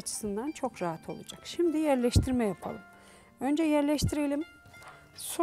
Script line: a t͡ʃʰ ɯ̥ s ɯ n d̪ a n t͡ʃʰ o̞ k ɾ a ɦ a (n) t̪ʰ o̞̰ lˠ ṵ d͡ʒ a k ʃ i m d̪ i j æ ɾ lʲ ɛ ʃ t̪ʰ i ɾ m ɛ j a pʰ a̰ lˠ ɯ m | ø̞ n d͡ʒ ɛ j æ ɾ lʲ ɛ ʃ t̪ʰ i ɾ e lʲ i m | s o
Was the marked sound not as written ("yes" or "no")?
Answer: yes